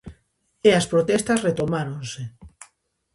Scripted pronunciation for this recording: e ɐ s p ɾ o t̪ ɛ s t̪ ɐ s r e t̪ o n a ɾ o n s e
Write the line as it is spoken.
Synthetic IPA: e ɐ s p ɾ o t̪ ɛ s t̪ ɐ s r e t̪ o m a ɾ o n s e

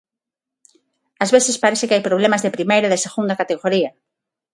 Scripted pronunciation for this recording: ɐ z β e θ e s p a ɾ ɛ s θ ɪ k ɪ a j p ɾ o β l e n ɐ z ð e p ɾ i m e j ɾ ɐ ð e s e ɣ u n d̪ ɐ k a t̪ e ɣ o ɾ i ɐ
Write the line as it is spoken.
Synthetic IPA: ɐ z β e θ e s p a ɾ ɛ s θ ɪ k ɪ a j p ɾ o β l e m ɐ z ð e p ɾ i m e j ɾ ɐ ð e s e ɣ u n d̪ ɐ k a t̪ e ɣ o ɾ i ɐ

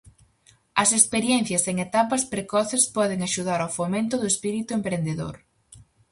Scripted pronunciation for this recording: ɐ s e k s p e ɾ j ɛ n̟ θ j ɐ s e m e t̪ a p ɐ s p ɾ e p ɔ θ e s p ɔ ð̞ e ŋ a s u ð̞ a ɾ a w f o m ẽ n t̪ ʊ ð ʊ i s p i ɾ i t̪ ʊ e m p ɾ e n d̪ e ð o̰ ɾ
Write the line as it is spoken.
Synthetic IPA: ɐ s e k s p e ɾ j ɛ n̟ θ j ɐ s e ŋ e t̪ a p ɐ s p ɾ e k ɔ θ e s p ɔ ð̞ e ŋ a ʃ u ð̞ a ɾ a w f o m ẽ n t̪ ʊ ð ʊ e s p i ɾ i t̪ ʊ e m p ɾ e n d̪ e ð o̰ ɾ

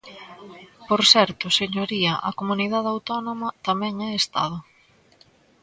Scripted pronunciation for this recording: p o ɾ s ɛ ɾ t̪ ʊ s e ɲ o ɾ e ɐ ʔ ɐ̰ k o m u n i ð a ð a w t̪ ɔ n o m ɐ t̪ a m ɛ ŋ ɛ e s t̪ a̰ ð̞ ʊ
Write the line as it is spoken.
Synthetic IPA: p o ɾ s ɛ ɾ t̪ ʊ s e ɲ o ɾ i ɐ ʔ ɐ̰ k o m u n i ð a ð a w t̪ ɔ n o m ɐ t̪ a m ɛ ŋ ɛ e s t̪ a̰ ð̞ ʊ

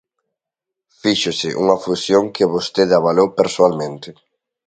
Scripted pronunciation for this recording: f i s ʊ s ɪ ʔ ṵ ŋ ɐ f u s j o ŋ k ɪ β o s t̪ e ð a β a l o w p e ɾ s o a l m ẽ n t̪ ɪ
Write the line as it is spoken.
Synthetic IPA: f i ʃ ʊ s ɪ ʔ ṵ ŋ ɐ f u s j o ŋ k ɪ β o s t̪ e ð a β a l o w p e ɾ s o a l m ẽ n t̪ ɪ

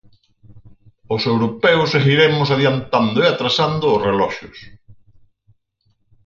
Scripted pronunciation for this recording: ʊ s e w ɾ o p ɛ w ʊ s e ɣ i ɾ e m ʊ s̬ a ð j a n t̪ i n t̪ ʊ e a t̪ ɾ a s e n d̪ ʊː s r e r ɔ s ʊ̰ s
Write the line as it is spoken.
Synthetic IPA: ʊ s e w ɾ o p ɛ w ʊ s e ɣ i ɾ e m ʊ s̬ a ð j a n t̪ a n d̪ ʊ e a t̪ ɾ a s a n d̪ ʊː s r e l ɔ ʃ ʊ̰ s

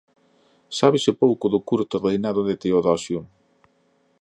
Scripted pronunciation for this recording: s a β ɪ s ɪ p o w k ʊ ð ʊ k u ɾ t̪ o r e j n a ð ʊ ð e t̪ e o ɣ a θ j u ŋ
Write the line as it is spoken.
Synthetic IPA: s a β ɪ s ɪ p o w k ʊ ð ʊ k u ɾ t̪ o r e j n a ð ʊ ð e t̪ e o ð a s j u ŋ

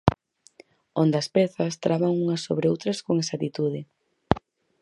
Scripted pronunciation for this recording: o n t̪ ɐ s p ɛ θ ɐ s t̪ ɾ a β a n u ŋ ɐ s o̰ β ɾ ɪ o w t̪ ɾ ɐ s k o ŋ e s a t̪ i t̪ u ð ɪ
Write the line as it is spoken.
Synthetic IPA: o n d̪ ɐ s p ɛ θ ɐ s t̪ ɾ a β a ŋ u ŋ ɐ s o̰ β ɾ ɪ o w t̪ ɾ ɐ s k o ŋ e s a t̪ i t̪ u ð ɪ

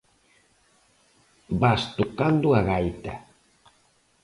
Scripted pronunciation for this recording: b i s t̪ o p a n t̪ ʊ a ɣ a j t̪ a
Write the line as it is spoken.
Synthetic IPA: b a s t̪ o k a n d̪ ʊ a ɣ a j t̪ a

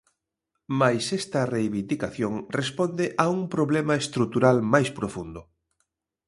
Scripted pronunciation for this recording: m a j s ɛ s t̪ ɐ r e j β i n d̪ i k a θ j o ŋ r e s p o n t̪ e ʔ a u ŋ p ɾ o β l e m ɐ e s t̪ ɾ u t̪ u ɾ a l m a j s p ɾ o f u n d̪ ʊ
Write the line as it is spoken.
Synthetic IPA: m a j s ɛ s t̪ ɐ r e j β i n d̪ i k a θ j o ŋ r e s p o n d̪ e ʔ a u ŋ p ɾ o β l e m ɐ e s t̪ ɾ u t̪ u ɾ a l m a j s p ɾ o f u n d̪ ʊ

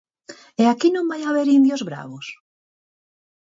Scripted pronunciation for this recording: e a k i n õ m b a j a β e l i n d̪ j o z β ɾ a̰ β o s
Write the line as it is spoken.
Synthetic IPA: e a k i n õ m b a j a β e ɾ i n d̪ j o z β ɾ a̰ β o s

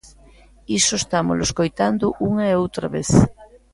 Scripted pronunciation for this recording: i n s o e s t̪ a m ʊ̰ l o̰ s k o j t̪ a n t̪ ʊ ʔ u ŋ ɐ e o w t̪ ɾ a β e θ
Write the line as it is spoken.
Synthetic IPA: i s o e s t̪ a m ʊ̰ l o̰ s k o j t̪ a n d̪ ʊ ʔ u ŋ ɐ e o w t̪ ɾ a β e θ

